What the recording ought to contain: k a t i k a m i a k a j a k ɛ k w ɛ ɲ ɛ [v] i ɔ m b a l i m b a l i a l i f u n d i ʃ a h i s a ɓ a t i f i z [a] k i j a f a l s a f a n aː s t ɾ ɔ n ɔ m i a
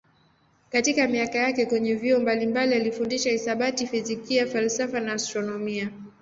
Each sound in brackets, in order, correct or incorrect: correct, incorrect

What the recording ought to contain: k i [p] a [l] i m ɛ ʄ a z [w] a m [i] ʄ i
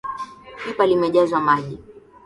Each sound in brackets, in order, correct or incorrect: correct, correct, correct, incorrect

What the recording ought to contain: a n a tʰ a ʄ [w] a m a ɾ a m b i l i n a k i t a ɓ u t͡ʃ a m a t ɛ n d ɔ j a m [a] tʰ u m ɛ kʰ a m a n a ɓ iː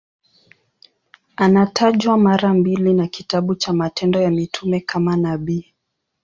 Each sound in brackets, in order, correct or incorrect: correct, incorrect

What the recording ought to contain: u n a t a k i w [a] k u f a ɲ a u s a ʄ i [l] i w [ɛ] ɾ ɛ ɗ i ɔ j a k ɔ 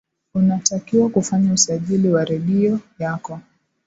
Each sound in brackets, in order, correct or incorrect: correct, correct, incorrect

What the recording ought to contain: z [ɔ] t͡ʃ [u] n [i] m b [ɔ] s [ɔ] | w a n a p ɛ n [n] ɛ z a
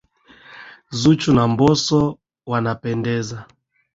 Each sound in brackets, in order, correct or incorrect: incorrect, correct, incorrect, correct, correct, incorrect

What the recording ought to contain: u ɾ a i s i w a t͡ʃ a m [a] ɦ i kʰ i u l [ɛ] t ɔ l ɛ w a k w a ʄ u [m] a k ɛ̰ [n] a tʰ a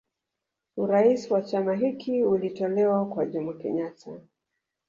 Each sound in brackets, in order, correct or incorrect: correct, incorrect, correct, incorrect

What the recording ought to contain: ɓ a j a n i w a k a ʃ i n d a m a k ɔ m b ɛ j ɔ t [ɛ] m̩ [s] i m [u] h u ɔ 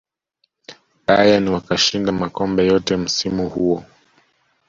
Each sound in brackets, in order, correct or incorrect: correct, correct, correct

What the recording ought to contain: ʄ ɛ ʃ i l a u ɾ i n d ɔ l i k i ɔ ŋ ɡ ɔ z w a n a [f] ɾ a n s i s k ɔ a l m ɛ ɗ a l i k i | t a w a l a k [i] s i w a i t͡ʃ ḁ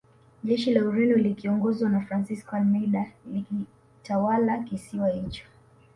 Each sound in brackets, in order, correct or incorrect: correct, correct

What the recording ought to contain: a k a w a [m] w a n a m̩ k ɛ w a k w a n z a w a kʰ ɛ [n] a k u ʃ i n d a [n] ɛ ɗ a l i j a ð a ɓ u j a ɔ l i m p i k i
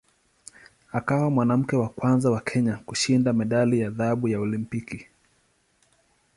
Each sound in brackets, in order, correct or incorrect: correct, incorrect, incorrect

